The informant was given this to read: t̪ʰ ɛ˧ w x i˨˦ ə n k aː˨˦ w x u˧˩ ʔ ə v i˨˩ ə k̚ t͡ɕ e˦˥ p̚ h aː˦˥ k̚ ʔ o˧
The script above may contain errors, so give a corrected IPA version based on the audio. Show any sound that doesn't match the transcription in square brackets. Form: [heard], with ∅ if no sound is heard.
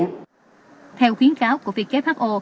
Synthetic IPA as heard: t̪ʰ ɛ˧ w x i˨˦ ə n k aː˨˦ w [k] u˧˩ [∅] ə v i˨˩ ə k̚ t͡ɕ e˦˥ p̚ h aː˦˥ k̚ ʔ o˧